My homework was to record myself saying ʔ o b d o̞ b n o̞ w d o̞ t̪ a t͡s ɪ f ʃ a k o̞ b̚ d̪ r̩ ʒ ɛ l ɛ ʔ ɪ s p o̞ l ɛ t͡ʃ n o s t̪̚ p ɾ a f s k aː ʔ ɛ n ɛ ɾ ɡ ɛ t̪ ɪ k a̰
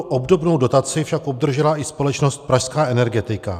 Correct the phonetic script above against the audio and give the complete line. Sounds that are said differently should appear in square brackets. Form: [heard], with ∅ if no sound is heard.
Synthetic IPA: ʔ o b d o̞ b n o̞ w d o̞ t̪ a t͡s ɪ f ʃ a k o̞ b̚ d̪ r̩ ʒ ɛ l [a] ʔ ɪ s p o̞ l ɛ t͡ʃ n o s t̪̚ p ɾ a [ʃ] s k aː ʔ ɛ n ɛ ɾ ɡ ɛ t̪ ɪ k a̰